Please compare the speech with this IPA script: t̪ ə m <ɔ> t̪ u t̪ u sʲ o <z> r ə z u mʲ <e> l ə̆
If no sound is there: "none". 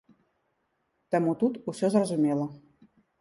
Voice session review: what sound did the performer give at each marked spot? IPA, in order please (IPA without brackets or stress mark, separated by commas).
u, z, e